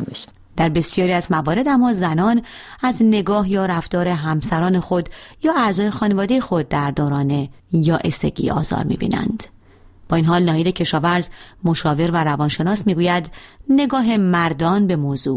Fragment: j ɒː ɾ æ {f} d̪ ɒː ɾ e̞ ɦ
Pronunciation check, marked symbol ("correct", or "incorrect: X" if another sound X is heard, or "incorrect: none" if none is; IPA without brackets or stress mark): correct